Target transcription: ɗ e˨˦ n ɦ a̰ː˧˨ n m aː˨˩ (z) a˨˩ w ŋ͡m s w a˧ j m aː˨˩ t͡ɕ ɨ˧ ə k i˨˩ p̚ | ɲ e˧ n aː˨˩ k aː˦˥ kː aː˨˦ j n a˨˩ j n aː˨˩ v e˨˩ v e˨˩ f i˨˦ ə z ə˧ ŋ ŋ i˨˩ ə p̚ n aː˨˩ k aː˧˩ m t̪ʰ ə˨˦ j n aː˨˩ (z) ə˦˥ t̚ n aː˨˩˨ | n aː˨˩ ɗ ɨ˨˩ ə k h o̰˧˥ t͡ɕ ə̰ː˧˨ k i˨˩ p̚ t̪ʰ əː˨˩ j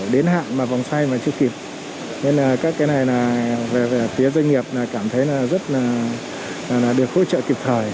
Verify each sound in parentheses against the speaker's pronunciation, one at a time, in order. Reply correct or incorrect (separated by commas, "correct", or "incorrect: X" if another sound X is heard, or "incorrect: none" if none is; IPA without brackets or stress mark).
incorrect: v, correct